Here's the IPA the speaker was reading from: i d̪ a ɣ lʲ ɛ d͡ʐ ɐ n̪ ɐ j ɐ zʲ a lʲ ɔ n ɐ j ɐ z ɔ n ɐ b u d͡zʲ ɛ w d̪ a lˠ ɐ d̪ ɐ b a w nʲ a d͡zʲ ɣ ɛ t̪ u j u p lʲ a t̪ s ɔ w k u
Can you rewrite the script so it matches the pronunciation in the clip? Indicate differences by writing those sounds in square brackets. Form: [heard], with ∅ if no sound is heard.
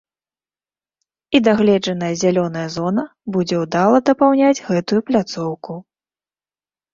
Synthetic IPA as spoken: i d̪ a ɣ lʲ ɛ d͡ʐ ɐ n̪ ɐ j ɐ zʲ a lʲ ɔ n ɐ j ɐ z ɔ n ɐ b u d͡zʲ ɛ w d̪ a lˠ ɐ d̪ ɐ [p] a w nʲ a d͡zʲ ɣ ɛ t̪ u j u p lʲ a t̪ s ɔ w k u